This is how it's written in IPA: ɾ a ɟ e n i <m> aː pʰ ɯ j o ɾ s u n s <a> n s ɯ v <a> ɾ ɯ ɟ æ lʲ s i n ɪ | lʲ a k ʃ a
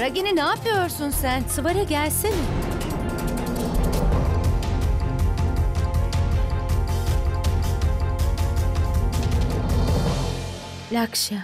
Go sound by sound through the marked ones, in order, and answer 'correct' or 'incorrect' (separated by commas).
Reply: incorrect, incorrect, correct